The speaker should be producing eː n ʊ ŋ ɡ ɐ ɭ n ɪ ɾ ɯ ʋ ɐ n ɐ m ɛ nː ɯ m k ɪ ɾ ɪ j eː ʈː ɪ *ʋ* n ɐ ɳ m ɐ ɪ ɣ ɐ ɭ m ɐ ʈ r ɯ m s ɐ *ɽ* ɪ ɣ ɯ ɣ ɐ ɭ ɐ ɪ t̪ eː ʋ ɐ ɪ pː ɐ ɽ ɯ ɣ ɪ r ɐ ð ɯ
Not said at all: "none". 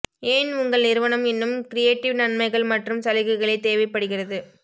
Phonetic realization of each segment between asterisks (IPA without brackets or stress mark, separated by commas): ʋ, l